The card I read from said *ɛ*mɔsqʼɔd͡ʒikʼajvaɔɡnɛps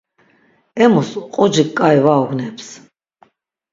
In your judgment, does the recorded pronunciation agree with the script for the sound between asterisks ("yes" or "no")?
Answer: yes